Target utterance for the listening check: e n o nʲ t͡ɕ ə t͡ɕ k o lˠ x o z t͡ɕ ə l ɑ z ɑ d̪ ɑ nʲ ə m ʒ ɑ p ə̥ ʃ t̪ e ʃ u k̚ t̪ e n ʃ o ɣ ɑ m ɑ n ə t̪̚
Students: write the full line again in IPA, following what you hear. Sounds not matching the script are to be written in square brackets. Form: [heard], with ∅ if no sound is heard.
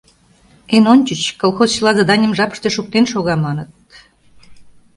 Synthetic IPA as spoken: e n o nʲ t͡ɕ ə t͡ɕ k o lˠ x o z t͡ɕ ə l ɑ z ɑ d̪ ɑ nʲ ə m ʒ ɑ p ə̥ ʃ t̪ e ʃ u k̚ t̪ e n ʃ o ɣ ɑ m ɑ n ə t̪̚